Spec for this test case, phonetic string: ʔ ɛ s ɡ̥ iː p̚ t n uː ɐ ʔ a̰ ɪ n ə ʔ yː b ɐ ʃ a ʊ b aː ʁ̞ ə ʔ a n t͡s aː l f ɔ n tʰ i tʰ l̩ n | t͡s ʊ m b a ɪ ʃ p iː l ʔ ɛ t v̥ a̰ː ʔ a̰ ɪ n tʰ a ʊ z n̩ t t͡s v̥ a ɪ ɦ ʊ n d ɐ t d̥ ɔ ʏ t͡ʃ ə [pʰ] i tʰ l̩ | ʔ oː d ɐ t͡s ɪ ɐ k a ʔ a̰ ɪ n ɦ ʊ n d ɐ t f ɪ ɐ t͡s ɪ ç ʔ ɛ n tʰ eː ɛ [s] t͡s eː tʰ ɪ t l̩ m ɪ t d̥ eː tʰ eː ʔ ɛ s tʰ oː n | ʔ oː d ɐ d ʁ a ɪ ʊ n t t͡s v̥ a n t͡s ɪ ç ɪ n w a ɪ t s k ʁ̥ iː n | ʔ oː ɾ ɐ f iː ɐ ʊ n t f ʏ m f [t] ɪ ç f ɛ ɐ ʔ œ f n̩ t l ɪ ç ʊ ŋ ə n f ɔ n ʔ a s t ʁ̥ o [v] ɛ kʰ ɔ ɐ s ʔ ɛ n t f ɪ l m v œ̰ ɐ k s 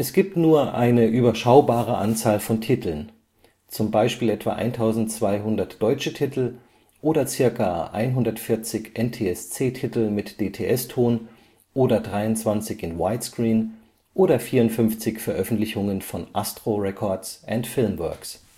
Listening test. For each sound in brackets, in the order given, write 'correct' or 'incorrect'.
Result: incorrect, correct, incorrect, incorrect

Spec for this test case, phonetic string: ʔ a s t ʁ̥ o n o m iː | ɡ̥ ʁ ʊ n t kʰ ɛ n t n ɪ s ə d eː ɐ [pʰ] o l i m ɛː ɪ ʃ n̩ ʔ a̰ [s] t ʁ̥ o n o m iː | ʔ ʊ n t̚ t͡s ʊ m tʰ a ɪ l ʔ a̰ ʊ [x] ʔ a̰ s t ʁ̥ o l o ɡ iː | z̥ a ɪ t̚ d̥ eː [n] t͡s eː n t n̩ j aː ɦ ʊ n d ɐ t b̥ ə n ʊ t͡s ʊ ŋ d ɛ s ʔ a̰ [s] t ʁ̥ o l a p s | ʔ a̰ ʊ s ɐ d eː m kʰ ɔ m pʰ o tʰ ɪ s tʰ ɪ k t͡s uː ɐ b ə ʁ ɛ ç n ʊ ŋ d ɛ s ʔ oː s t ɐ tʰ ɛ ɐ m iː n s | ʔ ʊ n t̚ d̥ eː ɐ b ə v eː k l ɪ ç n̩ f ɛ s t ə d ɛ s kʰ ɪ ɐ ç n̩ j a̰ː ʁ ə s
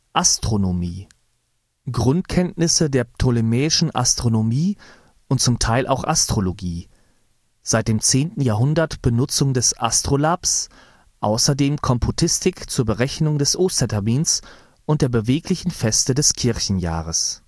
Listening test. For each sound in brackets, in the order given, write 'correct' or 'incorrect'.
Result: incorrect, correct, correct, incorrect, correct

